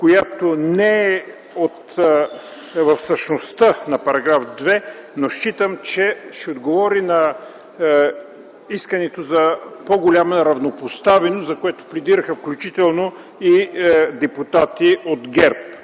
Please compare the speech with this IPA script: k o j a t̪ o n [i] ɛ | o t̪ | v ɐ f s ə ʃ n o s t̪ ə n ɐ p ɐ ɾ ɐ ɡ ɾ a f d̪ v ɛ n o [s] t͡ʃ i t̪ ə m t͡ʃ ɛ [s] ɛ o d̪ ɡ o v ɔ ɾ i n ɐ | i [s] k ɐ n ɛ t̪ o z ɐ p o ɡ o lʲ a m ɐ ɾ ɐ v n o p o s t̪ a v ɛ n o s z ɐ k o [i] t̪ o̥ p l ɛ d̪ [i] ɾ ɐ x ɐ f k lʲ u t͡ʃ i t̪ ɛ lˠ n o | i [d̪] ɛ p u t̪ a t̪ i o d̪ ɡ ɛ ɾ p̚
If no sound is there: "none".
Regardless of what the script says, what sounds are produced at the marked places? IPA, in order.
ɛ, ʃ, ʃ, s, ɛ, i, d̪

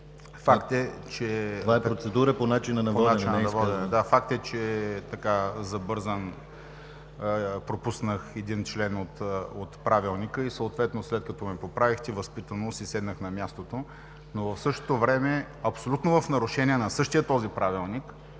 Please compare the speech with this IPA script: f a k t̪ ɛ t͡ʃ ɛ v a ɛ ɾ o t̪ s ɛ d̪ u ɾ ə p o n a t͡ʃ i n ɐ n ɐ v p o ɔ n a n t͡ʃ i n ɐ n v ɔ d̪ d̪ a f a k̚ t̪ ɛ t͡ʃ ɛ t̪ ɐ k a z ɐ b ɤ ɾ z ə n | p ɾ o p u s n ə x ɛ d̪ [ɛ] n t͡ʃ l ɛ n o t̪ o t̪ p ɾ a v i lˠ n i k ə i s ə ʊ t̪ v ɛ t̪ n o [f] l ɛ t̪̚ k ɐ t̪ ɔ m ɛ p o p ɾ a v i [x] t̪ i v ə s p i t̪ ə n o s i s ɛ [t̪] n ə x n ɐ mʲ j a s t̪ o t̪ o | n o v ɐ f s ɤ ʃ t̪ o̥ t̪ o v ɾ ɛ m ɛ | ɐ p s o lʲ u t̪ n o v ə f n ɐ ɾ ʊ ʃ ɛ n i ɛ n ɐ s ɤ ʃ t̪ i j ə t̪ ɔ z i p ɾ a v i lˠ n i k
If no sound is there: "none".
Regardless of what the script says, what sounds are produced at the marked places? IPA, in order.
i, s, x, d̪

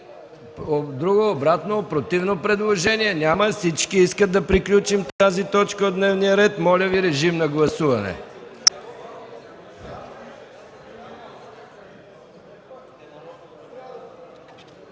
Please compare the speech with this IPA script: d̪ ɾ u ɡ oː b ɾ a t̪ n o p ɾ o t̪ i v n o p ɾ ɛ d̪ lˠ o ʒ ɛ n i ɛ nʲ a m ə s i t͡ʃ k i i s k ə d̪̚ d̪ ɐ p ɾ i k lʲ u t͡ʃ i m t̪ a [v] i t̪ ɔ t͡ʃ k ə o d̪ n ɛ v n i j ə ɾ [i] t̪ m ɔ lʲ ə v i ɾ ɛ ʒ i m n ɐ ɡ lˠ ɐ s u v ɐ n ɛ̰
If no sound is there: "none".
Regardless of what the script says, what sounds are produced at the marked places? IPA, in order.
z, ɛ

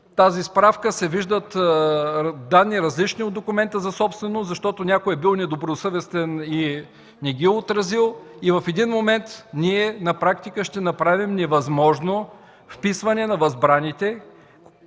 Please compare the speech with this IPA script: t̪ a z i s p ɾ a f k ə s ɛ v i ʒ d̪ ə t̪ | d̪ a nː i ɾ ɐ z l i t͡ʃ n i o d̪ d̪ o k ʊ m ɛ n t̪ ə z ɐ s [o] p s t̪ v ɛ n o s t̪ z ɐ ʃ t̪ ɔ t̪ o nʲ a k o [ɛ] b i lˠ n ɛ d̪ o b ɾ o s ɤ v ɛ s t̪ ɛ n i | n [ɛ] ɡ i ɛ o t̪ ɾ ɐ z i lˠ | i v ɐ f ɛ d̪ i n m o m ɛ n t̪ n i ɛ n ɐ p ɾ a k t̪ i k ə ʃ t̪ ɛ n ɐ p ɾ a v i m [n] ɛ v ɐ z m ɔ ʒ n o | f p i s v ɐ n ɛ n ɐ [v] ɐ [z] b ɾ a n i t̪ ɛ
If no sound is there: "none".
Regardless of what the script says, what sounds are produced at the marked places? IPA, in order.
ɔ, ɛ, ɛ, n, v, z

